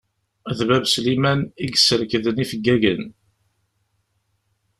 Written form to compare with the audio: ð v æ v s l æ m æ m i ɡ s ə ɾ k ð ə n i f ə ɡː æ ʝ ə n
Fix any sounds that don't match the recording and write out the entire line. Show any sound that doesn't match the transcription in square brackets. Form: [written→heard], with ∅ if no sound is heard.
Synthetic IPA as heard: ð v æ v s l [æ→i] m æ [m→n] i ɡ s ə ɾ k ð ə n i f ə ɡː æ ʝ ə n